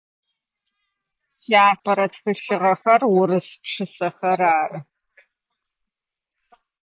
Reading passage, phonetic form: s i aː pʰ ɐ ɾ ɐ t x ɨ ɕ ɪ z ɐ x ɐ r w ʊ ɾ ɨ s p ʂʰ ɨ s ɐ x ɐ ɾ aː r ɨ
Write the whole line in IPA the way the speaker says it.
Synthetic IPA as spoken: s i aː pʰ ɐ ɾ ɐ t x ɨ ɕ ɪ ʁ ɐ x ɐ r w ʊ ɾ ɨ s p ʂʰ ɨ s ɐ x ɐ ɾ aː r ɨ